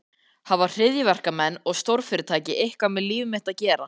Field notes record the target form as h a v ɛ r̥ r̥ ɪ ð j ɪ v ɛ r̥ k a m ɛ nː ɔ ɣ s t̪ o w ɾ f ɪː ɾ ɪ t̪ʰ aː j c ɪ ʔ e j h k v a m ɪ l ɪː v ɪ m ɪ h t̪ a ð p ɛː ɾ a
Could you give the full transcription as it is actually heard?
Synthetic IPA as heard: h a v a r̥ r̥ ɪ ð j ɪ v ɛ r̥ k a m ɛ nː ɔ ɣ s t̪ o w ɾ f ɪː ɾ ɪ t̪ʰ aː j c ɪ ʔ e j h k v a m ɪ l iː v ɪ m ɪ h t̪ a ð c ɛː ɾ a

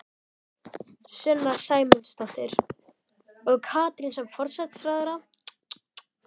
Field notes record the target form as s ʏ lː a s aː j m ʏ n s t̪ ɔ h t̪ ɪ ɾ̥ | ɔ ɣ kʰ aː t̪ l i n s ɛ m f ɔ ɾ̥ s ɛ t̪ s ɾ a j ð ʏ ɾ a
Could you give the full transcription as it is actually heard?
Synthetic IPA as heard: s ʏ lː a s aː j m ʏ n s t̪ ɔ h t̪ ɪ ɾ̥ | ɔ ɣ kʰ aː t̪ ɾ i n s ɛ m f ɔ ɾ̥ s ɛ t̪ s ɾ a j ð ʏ ɾ a

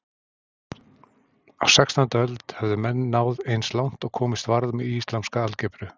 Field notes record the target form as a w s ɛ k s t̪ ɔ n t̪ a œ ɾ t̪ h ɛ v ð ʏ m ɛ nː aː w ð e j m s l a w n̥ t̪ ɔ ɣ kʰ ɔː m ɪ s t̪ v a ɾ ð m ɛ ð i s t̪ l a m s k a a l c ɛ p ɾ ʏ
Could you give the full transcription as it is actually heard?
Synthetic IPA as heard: a w s ɛ k s t̪ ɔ n t̪ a œ l t̪ h ɛ v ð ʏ m ɛ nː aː w ð e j n s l a w n̥ t̪ ɔ ɣ kʰ ɔː m ɪ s t̪ v a ɾ ð m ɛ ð i s t̪ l a m s k a a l c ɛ p ɾ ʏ

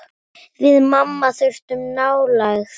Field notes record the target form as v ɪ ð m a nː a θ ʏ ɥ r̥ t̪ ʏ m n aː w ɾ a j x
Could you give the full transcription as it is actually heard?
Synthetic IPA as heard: v ɪ ð m a mː a θ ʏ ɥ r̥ t̪ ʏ m n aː w l a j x

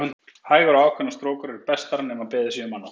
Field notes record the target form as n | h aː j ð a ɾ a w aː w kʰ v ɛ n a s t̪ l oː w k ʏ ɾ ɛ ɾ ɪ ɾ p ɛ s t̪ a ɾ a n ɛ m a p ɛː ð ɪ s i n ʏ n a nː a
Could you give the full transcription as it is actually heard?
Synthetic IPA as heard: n | h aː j ɣ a ɾ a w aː w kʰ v ɛ n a s t̪ ɾ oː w k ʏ ɾ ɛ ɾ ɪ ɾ p ɛ s t̪ a ɾ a n ɛ m a p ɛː ð ɪ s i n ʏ m a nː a

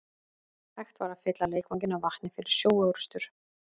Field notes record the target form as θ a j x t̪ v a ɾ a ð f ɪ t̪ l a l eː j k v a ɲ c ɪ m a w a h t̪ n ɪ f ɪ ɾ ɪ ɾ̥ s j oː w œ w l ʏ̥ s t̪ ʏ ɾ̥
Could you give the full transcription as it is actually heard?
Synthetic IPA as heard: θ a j x t̪ v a ɾ a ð f ɪ t̪ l a l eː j k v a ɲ c ɪ n a v a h t̪ n ɪ f ɪ ɾ ɪ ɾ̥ s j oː w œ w ɾ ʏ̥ s t̪ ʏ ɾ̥

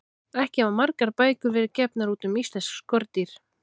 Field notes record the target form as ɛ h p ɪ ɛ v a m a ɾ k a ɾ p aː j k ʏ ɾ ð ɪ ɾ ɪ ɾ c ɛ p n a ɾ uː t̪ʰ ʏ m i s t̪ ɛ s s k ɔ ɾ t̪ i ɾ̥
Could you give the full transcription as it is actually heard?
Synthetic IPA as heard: ɛ h c ɪ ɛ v a m a ɾ k a ɾ p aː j k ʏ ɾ v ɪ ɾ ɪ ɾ c ɛ p n a ɾ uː t̪ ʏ m i s t̪ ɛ s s k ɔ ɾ t̪ i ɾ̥

